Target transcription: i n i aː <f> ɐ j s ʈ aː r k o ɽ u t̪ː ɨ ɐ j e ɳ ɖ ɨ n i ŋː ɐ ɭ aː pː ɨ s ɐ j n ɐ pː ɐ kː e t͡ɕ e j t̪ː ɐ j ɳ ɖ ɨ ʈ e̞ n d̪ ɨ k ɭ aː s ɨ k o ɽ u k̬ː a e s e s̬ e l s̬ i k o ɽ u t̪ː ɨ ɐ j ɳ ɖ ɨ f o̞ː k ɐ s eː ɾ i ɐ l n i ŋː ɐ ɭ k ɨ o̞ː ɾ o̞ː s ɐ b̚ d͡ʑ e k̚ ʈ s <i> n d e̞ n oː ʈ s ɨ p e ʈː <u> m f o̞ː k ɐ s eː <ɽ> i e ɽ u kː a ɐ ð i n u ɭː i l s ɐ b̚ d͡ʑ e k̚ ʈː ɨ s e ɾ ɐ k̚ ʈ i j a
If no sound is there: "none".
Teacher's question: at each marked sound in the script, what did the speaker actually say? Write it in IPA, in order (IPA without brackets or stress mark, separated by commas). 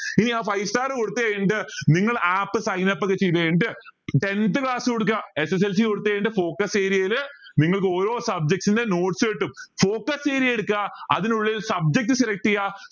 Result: f, i, u, ɾ